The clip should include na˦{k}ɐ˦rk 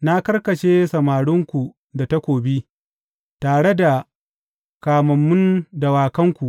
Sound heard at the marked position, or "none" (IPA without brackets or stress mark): k